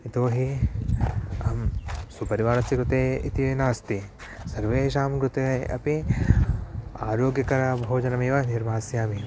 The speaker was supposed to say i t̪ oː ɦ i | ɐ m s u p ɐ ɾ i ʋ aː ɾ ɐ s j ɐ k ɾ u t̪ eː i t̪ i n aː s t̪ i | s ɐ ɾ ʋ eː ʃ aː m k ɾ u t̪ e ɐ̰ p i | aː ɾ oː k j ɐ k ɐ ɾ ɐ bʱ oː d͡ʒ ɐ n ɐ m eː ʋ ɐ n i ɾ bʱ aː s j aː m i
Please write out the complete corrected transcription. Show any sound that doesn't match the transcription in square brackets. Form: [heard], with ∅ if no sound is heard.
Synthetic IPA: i t̪ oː ɦ i | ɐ m s u p ɐ ɾ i ʋ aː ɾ ɐ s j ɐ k ɾ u t̪ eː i t̪ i n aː s t̪ i | s ɐ ɾ ʋ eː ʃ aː m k ɾ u t̪ e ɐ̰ p i | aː ɾ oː [ɡ] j ɐ k ɐ ɾ ɐ bʱ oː d͡ʒ ɐ n ɐ m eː ʋ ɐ n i ɾ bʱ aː s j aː m i